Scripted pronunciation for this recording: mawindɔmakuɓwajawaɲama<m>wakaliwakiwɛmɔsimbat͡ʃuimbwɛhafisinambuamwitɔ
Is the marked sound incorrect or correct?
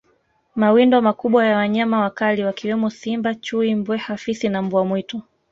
incorrect